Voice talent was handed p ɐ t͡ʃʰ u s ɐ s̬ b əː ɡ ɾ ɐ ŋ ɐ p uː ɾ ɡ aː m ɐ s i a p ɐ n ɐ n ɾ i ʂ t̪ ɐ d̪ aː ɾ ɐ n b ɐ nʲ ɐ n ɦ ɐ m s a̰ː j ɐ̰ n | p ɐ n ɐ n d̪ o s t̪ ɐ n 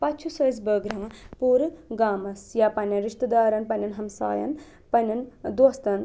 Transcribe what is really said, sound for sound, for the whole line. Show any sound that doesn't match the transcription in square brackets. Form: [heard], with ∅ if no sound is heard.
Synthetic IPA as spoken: p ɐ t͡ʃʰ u s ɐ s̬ b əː ɡ ɾ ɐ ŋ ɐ p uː ɾ ɡ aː m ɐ s [j] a p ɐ n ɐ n ɾ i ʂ t̪ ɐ d̪ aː ɾ ɐ n [p] ɐ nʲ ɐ n ɦ ɐ m s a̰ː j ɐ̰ n | p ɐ n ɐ n d̪ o s t̪ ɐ n